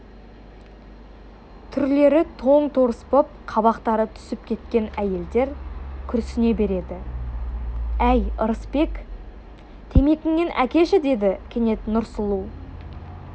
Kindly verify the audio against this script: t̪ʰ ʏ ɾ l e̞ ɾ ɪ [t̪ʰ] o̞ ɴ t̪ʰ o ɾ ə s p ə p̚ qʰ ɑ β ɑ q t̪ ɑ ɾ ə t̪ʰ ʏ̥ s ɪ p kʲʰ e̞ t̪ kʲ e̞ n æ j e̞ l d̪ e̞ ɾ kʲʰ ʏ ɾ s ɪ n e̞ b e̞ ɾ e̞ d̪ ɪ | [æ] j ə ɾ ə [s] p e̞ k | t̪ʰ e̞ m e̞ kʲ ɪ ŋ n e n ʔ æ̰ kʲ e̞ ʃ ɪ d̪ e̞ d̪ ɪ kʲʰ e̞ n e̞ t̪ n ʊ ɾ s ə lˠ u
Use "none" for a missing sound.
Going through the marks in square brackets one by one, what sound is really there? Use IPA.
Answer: t̪ʰ, æ, s

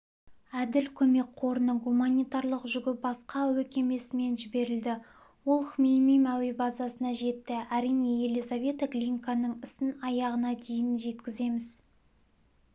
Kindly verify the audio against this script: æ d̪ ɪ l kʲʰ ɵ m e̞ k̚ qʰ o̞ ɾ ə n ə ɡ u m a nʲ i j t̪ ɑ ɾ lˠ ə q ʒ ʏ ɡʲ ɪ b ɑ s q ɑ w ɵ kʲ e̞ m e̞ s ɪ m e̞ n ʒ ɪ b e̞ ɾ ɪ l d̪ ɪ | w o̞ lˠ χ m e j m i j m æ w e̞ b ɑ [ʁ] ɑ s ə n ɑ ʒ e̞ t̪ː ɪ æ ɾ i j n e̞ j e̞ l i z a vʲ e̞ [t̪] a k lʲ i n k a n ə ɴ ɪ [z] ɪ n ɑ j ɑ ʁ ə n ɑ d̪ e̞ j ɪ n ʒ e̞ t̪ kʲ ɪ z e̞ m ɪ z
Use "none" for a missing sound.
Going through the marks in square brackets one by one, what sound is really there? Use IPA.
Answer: z, t̪, s

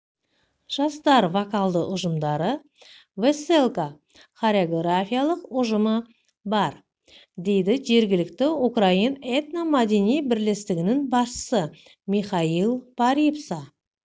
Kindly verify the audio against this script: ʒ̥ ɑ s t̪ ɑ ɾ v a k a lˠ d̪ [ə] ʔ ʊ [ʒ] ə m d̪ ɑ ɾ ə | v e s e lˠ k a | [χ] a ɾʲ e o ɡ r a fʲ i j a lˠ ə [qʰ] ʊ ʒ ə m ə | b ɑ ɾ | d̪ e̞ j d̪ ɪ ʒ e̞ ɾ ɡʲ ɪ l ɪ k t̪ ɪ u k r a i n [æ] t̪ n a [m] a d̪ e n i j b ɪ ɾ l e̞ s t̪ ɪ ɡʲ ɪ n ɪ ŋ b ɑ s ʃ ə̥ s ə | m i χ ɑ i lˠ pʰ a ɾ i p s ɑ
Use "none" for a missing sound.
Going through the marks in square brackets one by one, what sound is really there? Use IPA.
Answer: ə, ʒ, χ, q, e, m

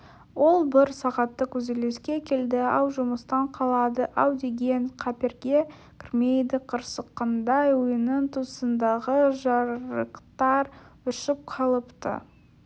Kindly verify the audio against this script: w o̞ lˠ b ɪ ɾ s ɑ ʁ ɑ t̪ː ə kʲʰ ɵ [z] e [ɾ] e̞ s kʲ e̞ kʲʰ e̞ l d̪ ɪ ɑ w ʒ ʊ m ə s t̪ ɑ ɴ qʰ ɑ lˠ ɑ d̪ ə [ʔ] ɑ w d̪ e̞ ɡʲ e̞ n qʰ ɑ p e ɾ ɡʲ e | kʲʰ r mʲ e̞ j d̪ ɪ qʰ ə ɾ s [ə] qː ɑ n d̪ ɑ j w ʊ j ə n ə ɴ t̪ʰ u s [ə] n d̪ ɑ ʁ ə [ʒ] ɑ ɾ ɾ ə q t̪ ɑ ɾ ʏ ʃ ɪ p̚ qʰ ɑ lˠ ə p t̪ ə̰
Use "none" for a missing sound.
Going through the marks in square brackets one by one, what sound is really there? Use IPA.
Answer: z, l, ʔ, ə, ə, ʒ

